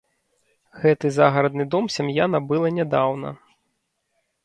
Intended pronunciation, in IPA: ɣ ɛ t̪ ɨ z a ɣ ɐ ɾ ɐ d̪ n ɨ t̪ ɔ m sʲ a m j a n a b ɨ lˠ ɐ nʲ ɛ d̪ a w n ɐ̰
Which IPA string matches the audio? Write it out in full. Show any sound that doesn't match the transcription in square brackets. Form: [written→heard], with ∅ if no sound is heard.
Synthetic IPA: ɣ ɛ t̪ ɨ z a ɣ ɐ ɾ ɐ d̪ n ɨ [t̪→d̪] ɔ m sʲ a m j a n [a→ɐ] b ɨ lˠ ɐ nʲ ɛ d̪ a w n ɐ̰